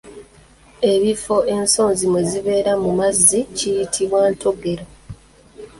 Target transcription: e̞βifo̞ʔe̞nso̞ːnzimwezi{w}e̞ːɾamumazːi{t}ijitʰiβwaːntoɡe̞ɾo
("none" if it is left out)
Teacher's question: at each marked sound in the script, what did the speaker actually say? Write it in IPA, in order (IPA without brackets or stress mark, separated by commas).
β, c